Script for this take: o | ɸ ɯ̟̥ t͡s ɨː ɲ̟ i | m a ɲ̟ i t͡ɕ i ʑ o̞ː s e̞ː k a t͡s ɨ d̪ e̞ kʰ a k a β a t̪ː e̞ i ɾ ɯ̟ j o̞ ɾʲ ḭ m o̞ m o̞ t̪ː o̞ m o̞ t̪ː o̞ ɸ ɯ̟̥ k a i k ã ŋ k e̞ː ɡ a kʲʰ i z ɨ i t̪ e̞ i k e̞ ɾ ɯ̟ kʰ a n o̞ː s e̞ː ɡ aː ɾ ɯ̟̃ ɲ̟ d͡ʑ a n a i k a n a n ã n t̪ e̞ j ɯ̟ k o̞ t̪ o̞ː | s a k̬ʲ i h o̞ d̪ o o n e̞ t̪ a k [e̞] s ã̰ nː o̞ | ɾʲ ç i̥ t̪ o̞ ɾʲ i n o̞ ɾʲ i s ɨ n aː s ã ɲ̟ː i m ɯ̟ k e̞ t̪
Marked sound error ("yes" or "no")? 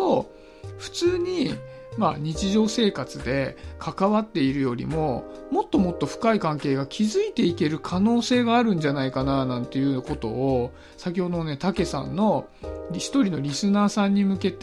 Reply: no